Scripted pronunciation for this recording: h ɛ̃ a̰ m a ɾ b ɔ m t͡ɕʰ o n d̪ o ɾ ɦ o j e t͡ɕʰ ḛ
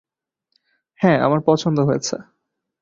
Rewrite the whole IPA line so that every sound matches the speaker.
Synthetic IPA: h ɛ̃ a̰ m a ɾ p ɔ t͡ɕʰ o n d̪ o ɦ o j e t͡ɕʰ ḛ